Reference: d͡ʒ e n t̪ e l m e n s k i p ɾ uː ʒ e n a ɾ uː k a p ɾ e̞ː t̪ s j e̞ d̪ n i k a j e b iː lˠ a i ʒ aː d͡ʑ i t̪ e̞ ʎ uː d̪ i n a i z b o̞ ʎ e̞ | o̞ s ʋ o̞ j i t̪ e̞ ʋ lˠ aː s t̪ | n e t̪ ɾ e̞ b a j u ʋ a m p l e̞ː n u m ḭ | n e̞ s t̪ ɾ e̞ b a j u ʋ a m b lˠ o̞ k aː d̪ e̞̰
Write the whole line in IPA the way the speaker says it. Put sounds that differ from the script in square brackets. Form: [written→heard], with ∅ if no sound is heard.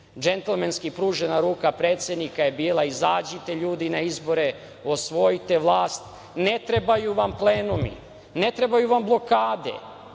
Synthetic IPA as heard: d͡ʒ e n t̪ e l m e n s k i p ɾ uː ʒ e n a ɾ uː k a p ɾ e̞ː t̪ s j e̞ d̪ n i k a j e b iː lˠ a i [ʒ→z] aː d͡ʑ i t̪ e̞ ʎ uː d̪ i n a i z b o̞ [ʎ→ɾ] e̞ | o̞ s ʋ o̞ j i t̪ e̞ ʋ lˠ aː s t̪ | n e t̪ ɾ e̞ b a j u ʋ a m p l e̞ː n u m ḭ | n e̞ [s→∅] t̪ ɾ e̞ b a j u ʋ a m b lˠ o̞ k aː d̪ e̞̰